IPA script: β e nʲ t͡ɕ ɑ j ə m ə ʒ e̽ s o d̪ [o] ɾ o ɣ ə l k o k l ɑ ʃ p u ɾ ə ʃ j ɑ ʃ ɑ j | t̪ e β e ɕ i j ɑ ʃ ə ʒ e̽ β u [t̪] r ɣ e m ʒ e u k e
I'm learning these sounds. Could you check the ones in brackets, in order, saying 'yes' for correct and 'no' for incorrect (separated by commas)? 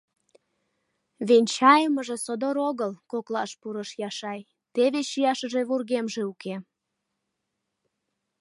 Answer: yes, no